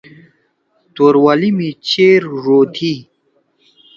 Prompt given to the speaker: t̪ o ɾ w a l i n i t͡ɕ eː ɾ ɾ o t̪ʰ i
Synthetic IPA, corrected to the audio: t̪ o ɾ w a l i m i t͡ɕ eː ɾ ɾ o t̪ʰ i